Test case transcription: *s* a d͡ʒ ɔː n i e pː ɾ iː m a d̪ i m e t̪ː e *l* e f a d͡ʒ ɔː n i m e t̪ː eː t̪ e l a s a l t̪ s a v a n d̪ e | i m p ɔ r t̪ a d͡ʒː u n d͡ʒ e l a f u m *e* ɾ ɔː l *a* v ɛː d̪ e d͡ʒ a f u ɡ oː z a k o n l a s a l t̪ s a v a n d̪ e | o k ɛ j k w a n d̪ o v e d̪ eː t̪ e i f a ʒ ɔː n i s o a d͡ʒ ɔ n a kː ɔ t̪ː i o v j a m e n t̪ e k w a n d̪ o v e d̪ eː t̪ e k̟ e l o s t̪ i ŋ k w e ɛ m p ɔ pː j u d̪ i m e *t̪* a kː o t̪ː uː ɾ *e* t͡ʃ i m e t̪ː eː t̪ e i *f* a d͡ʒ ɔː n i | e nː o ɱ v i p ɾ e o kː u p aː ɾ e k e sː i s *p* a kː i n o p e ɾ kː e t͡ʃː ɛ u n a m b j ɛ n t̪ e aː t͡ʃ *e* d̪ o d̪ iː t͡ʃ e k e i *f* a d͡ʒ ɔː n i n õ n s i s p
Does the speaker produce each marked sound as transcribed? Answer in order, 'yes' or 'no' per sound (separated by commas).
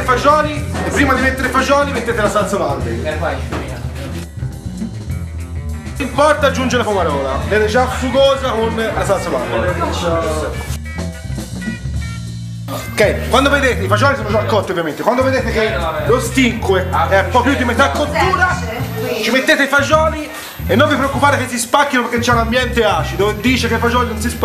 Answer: no, no, no, yes, yes, no, yes, yes, no, yes